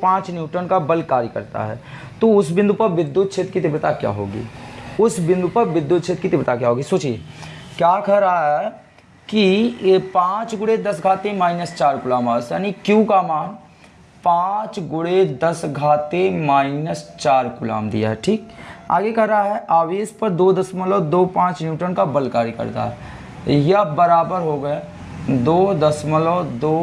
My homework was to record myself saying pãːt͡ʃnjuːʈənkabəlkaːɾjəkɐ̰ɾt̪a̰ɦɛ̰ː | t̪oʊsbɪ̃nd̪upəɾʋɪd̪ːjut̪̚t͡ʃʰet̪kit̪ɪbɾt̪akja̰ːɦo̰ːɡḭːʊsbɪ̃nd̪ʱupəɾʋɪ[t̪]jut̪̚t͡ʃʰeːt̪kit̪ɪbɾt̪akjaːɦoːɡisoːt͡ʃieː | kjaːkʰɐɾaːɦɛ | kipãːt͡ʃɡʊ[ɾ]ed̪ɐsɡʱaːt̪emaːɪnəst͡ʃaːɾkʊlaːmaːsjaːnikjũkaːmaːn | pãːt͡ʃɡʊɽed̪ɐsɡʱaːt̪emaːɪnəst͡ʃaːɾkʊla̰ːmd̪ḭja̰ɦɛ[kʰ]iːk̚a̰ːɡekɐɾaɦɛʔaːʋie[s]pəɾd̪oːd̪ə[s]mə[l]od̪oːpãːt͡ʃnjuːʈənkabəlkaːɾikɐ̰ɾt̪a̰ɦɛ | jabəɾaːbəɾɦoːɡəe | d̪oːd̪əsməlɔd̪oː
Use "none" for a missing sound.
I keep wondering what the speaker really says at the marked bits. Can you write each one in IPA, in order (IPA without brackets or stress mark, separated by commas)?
d̪, ɽ, ʈʰ, s, s, l